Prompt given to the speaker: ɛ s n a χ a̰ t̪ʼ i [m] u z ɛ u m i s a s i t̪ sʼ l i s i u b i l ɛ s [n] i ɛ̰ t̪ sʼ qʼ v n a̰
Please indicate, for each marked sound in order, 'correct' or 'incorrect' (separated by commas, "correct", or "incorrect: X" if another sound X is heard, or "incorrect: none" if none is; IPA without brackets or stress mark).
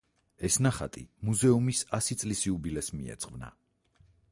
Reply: correct, incorrect: m